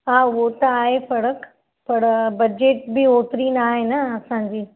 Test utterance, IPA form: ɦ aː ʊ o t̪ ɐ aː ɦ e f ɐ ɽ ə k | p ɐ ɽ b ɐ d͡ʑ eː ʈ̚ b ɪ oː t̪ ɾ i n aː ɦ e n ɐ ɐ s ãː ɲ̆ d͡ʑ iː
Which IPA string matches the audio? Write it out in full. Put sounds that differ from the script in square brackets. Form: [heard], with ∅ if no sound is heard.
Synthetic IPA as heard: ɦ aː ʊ o t̪ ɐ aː ɦ e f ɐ ɽ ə k | p ɐ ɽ b ɐ d͡ʑ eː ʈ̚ b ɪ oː t̪ ɾ i n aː ɦ e n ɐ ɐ s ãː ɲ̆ d͡ʑ iː